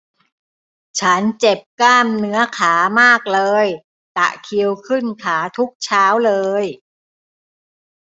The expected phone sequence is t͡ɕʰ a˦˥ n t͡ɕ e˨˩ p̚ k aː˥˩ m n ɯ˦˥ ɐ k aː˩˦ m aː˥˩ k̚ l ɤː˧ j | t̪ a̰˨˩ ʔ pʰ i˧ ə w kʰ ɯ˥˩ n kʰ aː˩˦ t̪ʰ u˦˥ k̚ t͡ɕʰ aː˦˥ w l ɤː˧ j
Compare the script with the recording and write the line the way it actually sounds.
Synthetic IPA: t͡ɕʰ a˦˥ n t͡ɕ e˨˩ p̚ k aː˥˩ m n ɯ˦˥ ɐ kʰ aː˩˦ m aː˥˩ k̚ l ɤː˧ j | t̪ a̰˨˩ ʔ kʰ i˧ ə w kʰ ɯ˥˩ n kʰ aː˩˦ t̪ʰ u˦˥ k̚ t͡ɕʰ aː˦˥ w l ɤː˧ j

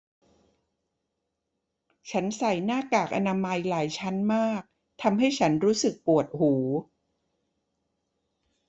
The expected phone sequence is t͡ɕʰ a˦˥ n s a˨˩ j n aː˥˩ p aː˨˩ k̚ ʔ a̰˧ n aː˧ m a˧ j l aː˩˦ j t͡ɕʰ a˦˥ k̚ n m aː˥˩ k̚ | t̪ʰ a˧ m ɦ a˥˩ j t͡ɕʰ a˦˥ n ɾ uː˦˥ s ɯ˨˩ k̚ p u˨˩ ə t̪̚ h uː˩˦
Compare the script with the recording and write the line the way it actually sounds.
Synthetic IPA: t͡ɕʰ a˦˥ n s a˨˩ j n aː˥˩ k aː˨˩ k̚ ʔ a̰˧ n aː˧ m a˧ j l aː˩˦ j t͡ɕʰ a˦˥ n m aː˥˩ k̚ | t̪ʰ a˧ m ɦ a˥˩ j t͡ɕʰ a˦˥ n ɾ uː˦˥ s ɯ˨˩ k̚ p u˨˩ ə t̪̚ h uː˩˦

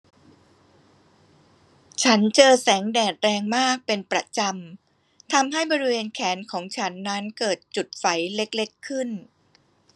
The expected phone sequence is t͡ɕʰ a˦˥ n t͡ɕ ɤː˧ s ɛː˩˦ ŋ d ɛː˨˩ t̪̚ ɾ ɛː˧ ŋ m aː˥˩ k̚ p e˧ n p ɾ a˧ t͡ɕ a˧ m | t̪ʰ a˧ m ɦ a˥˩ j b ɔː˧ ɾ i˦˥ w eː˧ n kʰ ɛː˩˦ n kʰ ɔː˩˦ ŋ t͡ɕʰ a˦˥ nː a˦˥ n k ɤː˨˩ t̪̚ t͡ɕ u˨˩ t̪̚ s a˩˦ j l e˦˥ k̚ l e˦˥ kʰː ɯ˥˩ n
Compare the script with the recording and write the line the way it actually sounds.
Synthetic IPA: t͡ɕʰ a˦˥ n t͡ɕ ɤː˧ s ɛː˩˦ ŋ d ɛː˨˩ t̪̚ ɾ ɛː˧ ŋ m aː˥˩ k̚ p e˧ n p ɾ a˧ t͡ɕ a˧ m | t̪ʰ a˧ m ɦ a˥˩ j b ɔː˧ ɾ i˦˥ w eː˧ n kʰ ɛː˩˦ n kʰ ɔː˩˦ ŋ t͡ɕʰ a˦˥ nː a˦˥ n k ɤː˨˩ t̪̚ t͡ɕ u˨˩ t̪̚ f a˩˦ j l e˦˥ k̚ l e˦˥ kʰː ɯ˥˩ n

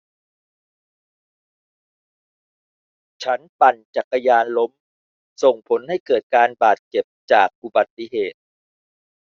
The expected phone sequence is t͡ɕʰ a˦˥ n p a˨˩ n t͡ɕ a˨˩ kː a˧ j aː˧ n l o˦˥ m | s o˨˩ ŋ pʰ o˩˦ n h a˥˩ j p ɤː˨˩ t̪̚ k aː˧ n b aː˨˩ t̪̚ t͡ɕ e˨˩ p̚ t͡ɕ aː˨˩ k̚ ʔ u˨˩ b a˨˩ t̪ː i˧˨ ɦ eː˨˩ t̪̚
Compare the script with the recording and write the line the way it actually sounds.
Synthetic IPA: t͡ɕʰ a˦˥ n p a˨˩ n t͡ɕ a˨˩ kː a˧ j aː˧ n l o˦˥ m | s o˨˩ ŋ pʰ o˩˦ n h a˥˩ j k ɤː˨˩ t̪̚ k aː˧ n b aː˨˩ t̪̚ t͡ɕ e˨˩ p̚ t͡ɕ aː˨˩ k̚ ʔ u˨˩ b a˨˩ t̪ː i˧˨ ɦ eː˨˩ t̪̚

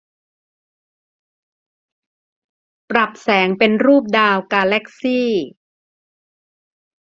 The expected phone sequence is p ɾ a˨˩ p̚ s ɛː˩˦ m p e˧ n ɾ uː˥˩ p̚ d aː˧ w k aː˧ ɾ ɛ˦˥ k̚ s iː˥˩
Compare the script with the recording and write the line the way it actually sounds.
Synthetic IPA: p ɾ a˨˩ p̚ s ɛː˩˦ ŋ p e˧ n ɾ uː˥˩ p̚ d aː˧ w k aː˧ l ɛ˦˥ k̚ s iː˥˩

